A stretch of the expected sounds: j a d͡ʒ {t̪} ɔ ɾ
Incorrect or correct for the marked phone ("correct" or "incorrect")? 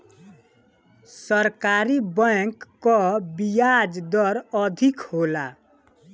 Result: incorrect